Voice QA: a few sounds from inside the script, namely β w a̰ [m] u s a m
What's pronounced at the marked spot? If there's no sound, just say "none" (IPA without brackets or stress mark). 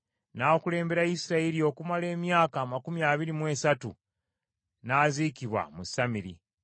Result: m